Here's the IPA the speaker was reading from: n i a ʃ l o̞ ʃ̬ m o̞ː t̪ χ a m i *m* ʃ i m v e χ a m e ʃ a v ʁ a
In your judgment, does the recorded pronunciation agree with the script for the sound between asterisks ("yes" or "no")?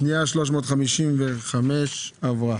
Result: no